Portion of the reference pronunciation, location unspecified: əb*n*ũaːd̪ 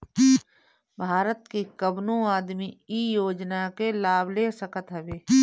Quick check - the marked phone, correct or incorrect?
correct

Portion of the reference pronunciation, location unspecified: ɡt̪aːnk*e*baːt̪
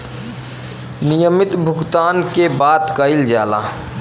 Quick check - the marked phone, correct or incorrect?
correct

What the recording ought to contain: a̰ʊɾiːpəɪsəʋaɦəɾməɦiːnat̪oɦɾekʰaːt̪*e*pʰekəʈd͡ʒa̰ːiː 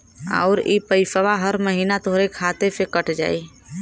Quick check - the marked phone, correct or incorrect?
correct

